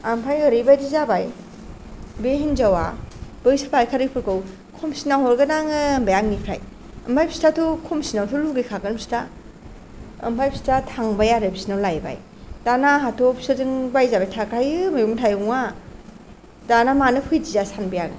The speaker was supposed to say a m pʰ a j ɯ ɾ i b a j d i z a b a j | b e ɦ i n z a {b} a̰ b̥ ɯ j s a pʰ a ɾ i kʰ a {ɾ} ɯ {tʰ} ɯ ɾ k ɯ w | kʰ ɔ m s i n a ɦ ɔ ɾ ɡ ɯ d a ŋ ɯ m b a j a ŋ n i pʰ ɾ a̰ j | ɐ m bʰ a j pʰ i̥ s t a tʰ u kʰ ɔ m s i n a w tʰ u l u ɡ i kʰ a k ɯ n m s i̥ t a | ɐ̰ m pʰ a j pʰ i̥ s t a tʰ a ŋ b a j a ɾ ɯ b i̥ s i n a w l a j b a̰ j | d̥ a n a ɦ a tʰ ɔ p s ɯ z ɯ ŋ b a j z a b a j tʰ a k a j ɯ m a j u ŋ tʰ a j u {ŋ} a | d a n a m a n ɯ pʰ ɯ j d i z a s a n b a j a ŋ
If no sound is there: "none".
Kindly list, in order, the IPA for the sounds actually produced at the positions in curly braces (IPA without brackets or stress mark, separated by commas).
w, ɾ, pʰ, ŋ